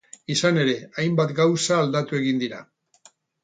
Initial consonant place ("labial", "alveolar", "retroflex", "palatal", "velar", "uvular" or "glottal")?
alveolar